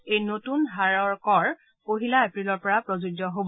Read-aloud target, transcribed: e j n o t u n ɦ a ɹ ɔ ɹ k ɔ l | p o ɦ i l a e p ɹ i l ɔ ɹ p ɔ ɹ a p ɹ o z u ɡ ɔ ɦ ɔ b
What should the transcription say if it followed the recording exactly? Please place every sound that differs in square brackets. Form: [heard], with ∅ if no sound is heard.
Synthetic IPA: e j n o t u n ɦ a ɹ ɔ ɹ k ɔ [ɹ] | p o ɦ i l a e p ɹ i l ɔ ɹ p ɔ ɹ a p ɹ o z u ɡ ɔ ɦ [o] b